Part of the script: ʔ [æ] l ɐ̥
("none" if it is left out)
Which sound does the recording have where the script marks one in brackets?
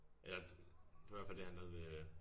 e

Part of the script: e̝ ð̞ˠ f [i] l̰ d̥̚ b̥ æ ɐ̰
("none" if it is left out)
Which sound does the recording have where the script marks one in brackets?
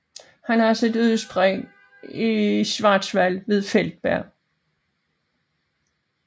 e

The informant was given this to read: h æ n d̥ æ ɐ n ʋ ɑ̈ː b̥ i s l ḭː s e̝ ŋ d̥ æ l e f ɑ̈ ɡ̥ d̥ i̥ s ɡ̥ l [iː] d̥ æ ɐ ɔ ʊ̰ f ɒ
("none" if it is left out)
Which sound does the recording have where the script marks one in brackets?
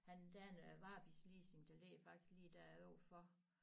iː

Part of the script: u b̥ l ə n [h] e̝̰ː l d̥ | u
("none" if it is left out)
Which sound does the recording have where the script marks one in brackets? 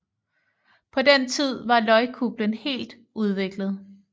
h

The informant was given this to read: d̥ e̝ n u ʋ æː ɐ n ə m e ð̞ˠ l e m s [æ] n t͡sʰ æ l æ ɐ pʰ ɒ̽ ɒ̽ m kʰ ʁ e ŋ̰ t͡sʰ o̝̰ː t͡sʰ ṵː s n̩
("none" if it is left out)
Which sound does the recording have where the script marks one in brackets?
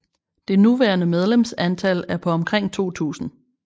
æ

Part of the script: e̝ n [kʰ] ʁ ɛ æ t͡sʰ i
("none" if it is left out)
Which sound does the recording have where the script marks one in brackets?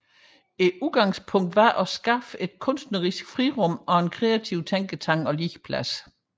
kʰ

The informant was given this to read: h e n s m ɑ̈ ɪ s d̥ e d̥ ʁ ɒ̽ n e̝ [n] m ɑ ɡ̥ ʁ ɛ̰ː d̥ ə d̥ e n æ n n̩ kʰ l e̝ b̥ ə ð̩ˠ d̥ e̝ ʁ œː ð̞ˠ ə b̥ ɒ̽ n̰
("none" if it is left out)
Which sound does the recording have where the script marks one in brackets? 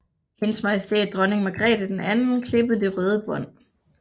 ŋ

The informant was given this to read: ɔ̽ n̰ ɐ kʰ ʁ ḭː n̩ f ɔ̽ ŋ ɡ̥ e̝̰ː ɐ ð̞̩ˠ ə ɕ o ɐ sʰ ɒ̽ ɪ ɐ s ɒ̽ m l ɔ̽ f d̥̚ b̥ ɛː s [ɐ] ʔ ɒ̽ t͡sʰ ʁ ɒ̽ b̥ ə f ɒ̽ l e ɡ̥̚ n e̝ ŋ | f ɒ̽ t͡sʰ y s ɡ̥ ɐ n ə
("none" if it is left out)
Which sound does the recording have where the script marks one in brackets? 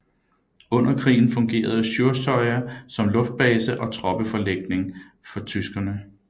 ə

